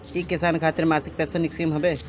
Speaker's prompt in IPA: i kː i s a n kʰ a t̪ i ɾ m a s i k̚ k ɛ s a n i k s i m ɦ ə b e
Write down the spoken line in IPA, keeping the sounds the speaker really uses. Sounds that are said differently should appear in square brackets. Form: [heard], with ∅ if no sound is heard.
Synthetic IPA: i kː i s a n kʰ a t̪ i ɾ m a s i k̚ [p] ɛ s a n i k s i m ɦ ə b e